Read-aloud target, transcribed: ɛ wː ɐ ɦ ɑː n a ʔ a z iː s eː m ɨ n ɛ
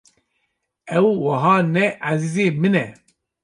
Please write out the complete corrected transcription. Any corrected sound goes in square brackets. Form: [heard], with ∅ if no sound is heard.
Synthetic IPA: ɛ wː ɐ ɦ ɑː n [ɛ] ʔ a z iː [z] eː m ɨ n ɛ